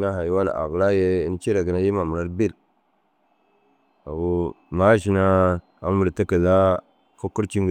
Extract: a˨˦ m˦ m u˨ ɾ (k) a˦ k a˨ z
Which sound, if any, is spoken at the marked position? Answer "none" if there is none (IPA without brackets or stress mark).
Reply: t